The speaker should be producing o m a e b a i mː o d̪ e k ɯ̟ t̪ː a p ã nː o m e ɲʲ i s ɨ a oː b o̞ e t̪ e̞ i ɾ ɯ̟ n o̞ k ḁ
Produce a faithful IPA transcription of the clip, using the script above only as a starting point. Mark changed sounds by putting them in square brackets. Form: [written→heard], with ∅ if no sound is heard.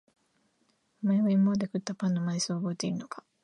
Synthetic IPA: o m a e [b→β] a i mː o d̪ e k ɯ̟ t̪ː a p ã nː o m [e→a] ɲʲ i s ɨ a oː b o̞ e t̪ e̞ i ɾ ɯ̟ n o̞ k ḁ

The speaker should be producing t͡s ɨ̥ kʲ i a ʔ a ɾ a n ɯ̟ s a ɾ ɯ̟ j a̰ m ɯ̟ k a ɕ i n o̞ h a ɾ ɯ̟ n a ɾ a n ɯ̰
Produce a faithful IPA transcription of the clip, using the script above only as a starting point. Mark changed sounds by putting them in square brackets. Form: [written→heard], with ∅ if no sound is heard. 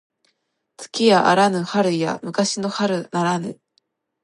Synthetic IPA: t͡s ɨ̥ kʲ i a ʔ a ɾ a n ɯ̟ [s→h] a ɾ ɯ̟ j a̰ m ɯ̟ k a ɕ i n o̞ h a ɾ ɯ̟ n a ɾ a n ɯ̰

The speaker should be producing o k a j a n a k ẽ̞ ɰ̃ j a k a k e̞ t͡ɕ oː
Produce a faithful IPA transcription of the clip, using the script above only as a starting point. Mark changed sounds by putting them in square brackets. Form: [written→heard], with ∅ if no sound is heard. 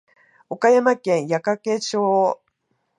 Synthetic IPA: o k a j a [n→m] a k ẽ̞ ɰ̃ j a k a k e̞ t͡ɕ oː

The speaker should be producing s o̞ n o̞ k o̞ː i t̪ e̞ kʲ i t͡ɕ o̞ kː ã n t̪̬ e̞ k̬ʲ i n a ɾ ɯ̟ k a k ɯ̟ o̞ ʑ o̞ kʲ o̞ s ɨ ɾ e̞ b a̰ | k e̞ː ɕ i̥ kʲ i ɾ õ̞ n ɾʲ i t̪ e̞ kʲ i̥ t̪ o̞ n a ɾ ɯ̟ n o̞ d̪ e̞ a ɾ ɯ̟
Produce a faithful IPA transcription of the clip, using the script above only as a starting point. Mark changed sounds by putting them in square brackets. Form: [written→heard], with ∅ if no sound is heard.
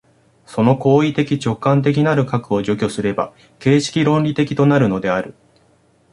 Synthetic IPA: s o̞ n o̞ k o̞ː i t̪ e̞ kʲ i t͡ɕ o̞ kː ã n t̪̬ e̞ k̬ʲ i n a ɾ ɯ̟ k a k ɯ̟ o̞ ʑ o̞ kʲ o̞ s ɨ ɾ e̞ b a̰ | k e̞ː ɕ i̥ kʲ i ɾ õ̞ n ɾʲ i t̪ e̞ kʲ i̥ t̪ o̞ n a ɾ ɯ̟ n o̞ d̪ e̞ a ɾ ɯ̟

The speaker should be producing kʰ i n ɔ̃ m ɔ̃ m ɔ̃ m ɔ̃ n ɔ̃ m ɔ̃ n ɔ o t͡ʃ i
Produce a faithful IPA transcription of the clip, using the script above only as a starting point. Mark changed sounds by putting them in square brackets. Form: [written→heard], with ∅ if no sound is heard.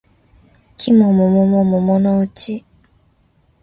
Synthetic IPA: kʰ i [n→m] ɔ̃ m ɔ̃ m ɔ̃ m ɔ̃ [n→m] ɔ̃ m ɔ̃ n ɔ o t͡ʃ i

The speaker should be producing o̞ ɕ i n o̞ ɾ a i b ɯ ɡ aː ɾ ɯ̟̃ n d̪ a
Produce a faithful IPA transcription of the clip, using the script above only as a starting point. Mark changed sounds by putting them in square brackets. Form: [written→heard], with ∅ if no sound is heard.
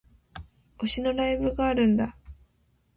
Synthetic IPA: o̞ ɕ i n o̞ ɾ a i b ɯ ɡ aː ɾ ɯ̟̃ n d̪ a

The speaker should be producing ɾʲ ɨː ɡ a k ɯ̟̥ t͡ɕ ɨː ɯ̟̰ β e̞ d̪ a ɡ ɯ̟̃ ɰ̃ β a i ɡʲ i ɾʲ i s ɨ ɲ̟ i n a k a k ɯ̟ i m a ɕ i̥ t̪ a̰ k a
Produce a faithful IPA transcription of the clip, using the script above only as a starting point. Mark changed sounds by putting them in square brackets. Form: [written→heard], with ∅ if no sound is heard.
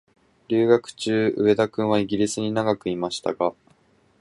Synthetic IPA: ɾʲ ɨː ɡ a k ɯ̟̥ t͡ɕ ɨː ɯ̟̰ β e̞ d̪ a [ɡ→k] ɯ̟̃ ɰ̃ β a i ɡʲ i ɾʲ i s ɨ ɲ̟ i n a [k→ɡ] a k ɯ̟ i m a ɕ i̥ t̪ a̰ [k→ɡ] a

